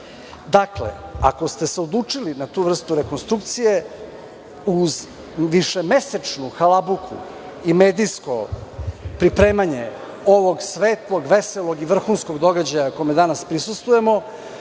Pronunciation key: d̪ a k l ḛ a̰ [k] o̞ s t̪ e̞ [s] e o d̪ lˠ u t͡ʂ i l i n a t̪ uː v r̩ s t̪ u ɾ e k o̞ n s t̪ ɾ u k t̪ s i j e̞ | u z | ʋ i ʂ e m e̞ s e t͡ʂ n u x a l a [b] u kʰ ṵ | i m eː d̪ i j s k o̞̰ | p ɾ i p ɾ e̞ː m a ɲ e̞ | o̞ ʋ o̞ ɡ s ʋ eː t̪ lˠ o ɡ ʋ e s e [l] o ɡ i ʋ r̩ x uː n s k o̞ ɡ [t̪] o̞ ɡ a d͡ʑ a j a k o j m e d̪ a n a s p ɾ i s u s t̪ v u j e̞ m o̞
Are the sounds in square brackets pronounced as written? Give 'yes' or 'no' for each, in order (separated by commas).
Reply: yes, yes, yes, yes, no